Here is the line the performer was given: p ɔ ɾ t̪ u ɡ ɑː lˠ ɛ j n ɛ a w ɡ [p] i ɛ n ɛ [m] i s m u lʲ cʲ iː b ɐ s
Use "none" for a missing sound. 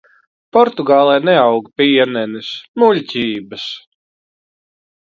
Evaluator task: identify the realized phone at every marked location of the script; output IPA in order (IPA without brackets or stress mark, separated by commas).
p, n